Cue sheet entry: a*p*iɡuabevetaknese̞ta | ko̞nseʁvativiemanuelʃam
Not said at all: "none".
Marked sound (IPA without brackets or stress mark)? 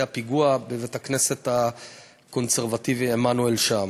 p